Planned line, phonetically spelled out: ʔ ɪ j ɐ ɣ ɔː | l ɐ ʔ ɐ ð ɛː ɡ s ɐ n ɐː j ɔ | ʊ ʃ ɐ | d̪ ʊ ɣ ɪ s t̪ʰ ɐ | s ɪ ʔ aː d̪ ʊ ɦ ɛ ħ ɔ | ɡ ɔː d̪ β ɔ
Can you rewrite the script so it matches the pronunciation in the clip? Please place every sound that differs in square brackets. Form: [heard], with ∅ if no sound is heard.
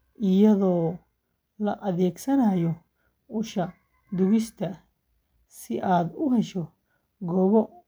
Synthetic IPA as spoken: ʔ ɪ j ɐ [ð] ɔː | l ɐ ʔ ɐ ð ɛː ɡ s ɐ n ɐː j ɔ | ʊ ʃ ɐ | d̪ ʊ ɣ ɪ s t̪ʰ ɐ | s ɪ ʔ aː d̪ ʊ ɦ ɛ [ʃ] ɔ | ɡ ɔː [∅] β ɔ